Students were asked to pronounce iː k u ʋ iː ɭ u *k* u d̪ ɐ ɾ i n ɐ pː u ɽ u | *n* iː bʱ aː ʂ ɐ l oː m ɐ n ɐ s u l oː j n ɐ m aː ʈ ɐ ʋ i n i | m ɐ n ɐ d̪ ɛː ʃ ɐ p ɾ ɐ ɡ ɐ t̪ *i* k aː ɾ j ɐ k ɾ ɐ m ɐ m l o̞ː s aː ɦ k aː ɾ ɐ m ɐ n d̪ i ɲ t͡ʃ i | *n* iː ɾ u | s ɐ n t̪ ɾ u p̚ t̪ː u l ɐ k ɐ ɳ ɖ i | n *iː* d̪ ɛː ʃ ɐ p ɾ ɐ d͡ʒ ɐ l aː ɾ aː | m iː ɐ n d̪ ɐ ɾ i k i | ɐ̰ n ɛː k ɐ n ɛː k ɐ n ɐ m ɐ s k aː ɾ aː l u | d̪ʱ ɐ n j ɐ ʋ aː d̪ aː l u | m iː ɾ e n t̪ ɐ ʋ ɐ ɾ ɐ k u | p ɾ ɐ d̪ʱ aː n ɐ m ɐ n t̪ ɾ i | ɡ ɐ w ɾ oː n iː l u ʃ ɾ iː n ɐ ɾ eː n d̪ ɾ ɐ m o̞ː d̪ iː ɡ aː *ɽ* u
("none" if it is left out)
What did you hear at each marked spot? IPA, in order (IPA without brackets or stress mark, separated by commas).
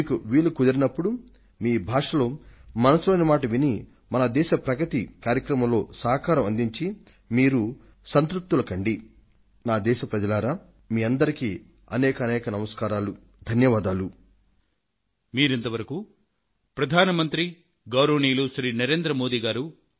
k, m, i, m, aː, ɾ